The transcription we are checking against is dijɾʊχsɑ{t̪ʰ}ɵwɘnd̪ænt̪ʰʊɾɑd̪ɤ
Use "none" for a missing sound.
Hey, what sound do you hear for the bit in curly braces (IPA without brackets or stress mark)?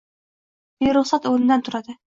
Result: t̪